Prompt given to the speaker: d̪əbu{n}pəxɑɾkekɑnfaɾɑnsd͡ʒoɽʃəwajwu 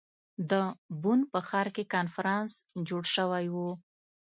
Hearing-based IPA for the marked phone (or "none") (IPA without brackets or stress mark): n